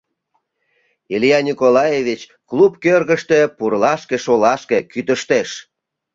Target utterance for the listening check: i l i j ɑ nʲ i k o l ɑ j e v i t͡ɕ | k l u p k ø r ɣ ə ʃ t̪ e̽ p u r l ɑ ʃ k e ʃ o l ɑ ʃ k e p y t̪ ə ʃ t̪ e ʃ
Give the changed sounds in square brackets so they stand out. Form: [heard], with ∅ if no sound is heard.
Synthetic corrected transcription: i l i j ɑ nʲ i k o l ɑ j e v i t͡ɕ | k l u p k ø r ɣ ə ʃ t̪ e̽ p u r l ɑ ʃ k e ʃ o l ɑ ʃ k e [k] y t̪ ə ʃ t̪ e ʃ